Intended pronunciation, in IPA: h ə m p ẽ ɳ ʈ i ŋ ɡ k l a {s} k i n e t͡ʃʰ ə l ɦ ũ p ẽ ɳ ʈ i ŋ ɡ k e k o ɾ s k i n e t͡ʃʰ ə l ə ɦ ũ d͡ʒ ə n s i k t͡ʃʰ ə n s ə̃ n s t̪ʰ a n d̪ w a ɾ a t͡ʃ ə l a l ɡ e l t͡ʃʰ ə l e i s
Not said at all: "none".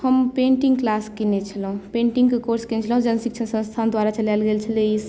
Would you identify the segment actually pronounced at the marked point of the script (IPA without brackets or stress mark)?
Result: s